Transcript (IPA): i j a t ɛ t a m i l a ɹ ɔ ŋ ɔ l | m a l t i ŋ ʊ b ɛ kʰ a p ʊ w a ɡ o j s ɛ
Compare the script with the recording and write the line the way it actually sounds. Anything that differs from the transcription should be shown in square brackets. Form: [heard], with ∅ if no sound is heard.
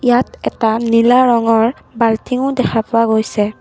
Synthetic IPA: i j a t ɛ t a [n] i l a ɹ ɔ ŋ ɔ [ɹ] | [b] a l t i ŋ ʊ [d] ɛ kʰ a p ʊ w a ɡ o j s ɛ